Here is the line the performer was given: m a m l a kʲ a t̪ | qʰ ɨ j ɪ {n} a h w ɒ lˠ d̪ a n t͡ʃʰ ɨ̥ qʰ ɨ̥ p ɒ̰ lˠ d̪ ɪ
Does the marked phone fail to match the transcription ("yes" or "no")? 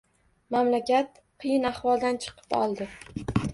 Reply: no